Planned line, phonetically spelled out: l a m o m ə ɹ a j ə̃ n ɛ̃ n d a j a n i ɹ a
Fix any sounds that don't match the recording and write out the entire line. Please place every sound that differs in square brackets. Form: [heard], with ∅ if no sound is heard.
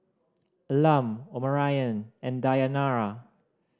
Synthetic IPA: l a m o m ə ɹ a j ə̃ n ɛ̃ n d a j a n [a] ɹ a